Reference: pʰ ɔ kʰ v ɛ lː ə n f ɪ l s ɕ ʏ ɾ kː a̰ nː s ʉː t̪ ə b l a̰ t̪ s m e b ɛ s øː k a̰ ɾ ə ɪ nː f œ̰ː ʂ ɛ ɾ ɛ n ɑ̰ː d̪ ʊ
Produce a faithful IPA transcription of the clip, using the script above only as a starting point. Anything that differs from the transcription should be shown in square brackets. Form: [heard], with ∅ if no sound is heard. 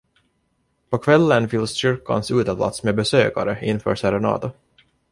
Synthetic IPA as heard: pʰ ɔ kʰ v ɛ lː ə n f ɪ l s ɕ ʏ ɾ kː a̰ [n] s ʉː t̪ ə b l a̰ t̪ s m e b ɛ s øː k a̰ ɾ ə ɪ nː f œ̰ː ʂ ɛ ɾ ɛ n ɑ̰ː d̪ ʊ